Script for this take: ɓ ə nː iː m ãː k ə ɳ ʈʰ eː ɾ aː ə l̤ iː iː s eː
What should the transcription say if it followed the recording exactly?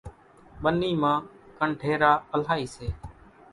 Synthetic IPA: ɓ ə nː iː m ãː k ə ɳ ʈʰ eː ɾ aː ə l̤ aː iː s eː